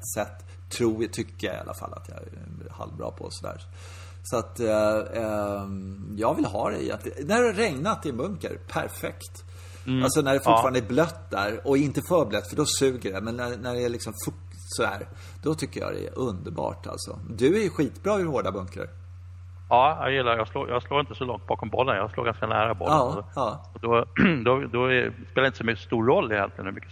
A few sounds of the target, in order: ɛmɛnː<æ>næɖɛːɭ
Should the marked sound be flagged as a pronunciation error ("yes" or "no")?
no